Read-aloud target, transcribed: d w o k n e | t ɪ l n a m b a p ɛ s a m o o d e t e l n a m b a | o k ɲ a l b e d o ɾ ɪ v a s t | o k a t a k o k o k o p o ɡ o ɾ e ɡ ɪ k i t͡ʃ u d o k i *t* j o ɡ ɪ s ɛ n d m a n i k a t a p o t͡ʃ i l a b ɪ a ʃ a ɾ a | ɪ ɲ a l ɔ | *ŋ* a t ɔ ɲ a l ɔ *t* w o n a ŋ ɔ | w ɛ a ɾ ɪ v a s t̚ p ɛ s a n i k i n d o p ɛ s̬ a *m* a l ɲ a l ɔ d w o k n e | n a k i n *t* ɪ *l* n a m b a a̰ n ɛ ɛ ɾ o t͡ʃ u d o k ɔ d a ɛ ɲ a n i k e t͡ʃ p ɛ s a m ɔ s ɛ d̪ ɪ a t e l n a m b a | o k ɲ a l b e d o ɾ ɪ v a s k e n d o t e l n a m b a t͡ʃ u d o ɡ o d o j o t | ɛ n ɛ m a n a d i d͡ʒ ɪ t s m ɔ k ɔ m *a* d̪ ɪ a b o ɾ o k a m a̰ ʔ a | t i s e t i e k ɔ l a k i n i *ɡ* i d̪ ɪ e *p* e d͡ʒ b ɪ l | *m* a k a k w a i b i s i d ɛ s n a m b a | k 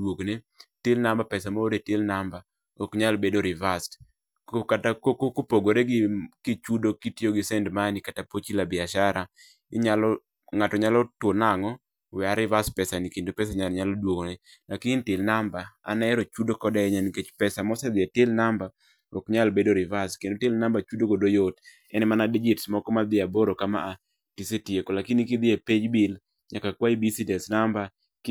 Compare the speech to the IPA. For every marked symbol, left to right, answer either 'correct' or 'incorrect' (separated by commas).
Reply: correct, correct, correct, incorrect, correct, correct, correct, incorrect, correct, incorrect